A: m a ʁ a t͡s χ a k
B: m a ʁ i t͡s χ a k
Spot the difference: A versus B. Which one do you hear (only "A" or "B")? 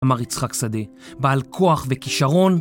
B